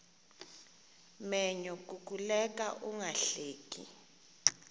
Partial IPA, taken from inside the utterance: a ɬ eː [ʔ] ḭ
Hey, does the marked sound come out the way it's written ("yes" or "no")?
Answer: no